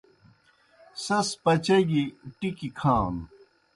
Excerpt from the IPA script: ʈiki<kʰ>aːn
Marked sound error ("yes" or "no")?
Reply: no